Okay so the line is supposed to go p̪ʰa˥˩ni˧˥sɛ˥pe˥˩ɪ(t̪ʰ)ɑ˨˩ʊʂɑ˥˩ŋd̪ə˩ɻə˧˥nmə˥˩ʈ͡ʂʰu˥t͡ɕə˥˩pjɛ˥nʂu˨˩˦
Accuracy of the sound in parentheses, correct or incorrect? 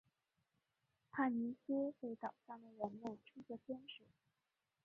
incorrect